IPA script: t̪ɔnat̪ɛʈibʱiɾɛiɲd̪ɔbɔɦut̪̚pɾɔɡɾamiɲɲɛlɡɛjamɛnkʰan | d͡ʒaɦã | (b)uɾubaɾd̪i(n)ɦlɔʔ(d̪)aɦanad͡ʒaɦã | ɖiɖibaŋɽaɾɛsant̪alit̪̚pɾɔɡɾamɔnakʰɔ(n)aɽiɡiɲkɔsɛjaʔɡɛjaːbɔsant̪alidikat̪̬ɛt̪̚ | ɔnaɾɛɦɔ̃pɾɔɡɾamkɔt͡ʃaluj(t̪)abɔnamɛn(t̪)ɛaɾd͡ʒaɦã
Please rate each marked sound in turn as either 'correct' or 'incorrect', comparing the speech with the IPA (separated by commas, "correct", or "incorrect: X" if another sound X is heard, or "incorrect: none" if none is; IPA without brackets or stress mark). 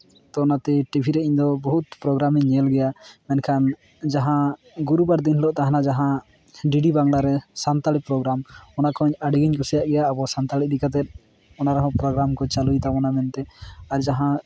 incorrect: ɡ, correct, incorrect: t̪, incorrect: ɲ, correct, correct